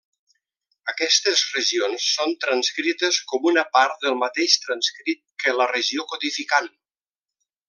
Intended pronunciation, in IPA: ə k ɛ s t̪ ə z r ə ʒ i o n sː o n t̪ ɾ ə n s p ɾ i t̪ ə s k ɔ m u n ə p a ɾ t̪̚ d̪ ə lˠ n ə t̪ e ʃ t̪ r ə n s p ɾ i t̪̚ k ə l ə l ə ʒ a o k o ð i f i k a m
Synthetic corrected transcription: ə k ɛ s t̪ ə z r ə ʒ i o n sː o n t̪ ɾ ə n s k ɾ i t̪ ə s k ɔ m u n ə p a ɾ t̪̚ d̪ ə lˠ m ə t̪ e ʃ t̪ ɾ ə n s k ɾ i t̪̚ k ə l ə r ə ʒ i o k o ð i f i k a n